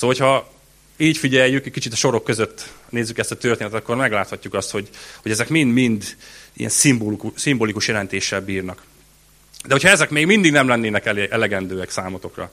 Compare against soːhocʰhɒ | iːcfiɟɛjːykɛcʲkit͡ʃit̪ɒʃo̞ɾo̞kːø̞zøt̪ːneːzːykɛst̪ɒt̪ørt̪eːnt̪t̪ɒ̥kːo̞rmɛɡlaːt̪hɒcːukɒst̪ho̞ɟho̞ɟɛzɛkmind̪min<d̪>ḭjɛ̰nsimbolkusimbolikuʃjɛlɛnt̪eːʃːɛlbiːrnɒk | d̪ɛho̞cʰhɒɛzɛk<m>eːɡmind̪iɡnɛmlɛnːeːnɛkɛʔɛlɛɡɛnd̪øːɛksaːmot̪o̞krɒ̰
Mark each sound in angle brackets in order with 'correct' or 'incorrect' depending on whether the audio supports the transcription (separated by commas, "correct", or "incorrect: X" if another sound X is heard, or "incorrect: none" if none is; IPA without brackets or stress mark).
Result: correct, correct